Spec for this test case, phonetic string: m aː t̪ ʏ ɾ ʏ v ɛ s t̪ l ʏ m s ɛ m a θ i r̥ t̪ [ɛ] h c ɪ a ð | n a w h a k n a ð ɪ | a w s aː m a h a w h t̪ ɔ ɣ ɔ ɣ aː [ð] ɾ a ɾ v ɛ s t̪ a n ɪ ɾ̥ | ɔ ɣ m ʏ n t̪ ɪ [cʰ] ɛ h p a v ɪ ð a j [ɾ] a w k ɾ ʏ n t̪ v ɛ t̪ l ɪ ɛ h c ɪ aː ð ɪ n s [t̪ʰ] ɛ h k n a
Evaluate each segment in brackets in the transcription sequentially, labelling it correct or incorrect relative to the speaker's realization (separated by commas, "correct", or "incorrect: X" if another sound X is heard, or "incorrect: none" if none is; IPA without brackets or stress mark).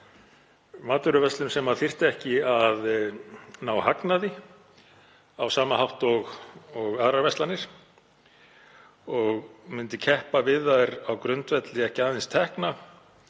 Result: correct, correct, correct, correct, correct